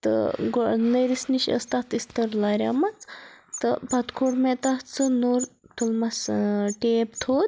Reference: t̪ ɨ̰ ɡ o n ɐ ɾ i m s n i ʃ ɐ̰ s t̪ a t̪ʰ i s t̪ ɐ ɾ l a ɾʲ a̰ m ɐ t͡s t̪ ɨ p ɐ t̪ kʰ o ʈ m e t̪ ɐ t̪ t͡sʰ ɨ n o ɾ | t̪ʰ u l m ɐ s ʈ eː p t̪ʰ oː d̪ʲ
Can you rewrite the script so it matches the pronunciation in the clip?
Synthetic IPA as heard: t̪ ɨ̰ ɡ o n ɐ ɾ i s n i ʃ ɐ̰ s t̪ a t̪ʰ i s t̪ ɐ ɾ l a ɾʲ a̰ m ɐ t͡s t̪ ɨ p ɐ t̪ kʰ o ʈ m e t̪ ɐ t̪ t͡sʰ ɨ n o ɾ | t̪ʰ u l m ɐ s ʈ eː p t̪ʰ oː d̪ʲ